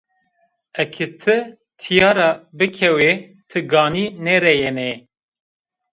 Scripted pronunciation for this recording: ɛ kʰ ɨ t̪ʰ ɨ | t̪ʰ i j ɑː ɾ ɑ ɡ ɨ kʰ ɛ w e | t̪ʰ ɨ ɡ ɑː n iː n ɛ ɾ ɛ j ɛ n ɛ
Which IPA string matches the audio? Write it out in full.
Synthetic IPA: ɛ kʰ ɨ t̪ʰ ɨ | t̪ʰ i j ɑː ɾ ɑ b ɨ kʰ ɛ w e | t̪ʰ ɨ ɡ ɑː n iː n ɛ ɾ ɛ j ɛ n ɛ